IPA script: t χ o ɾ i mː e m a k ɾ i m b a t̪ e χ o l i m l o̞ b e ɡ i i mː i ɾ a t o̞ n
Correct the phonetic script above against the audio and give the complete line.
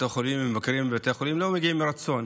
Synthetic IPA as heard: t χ o l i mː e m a k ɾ i m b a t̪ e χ o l i m l o̞ m e ɡ i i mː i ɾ a t͡s o̞ n